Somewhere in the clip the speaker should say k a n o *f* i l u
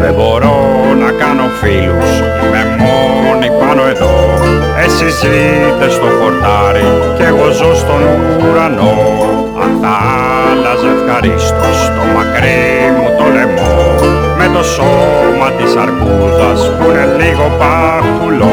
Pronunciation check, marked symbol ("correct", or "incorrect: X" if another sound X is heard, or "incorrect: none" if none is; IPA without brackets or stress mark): correct